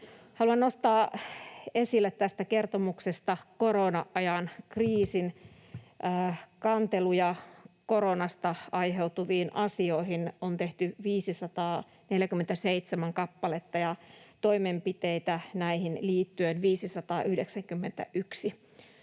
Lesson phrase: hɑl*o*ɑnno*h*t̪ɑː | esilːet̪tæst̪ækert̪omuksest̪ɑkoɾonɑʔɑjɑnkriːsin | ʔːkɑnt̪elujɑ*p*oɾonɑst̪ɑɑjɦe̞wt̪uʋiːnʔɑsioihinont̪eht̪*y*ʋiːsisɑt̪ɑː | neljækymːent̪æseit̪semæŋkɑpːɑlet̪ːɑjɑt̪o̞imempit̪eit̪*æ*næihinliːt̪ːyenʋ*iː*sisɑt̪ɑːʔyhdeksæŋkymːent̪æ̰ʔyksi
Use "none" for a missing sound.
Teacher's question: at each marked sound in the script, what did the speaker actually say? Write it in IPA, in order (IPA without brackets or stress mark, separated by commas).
u, s, k, y, æ, iː